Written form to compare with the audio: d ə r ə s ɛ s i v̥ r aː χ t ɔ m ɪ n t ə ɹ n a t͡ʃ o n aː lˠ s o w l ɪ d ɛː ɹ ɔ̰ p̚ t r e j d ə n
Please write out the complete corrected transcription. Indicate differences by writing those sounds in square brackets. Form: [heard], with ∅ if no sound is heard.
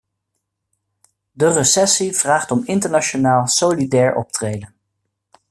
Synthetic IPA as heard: d ə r ə s ɛ s i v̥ r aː χ t ɔ m ɪ n t ə ɹ n a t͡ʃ o n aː lˠ s o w l [i] d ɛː ɹ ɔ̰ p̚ t r e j d ə n